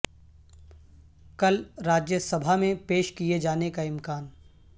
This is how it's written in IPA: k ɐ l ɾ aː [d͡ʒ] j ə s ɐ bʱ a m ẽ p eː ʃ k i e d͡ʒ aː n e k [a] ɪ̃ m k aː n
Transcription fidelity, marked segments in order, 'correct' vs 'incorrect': correct, correct

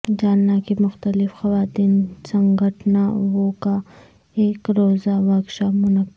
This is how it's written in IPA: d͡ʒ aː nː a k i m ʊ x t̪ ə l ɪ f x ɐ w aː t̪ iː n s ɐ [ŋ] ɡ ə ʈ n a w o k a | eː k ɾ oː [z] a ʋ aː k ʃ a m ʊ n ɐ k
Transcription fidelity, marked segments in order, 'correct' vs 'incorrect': correct, correct

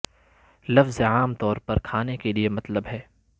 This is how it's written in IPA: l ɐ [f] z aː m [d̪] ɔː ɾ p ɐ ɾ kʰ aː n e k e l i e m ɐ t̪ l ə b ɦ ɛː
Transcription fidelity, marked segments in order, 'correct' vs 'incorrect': correct, incorrect

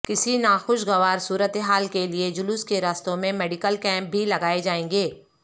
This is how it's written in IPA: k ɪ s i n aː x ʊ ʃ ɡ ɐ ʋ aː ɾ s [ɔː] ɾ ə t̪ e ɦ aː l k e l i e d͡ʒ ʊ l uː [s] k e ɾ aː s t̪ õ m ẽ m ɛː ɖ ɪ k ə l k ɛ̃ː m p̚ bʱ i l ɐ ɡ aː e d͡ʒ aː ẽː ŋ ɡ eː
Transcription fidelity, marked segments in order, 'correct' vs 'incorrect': incorrect, correct

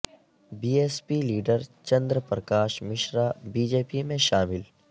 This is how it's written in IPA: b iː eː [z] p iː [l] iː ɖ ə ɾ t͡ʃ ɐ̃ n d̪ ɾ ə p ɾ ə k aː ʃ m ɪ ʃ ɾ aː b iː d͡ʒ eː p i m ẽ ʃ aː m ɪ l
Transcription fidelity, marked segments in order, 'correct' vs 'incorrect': incorrect, correct

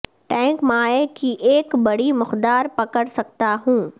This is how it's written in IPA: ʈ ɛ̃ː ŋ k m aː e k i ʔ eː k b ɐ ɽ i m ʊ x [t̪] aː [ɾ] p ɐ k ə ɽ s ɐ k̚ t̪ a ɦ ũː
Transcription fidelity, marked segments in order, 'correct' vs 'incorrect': incorrect, correct

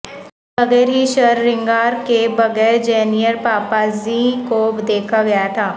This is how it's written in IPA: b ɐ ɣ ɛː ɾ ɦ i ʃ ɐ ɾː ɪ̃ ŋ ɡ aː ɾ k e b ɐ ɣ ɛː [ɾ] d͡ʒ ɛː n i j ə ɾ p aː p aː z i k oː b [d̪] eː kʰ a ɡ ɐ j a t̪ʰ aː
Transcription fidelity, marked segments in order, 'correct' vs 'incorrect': correct, correct

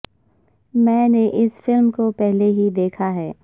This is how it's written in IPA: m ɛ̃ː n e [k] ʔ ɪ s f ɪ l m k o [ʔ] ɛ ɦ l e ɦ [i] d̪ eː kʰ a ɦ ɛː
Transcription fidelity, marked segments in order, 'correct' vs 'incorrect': incorrect, incorrect, correct

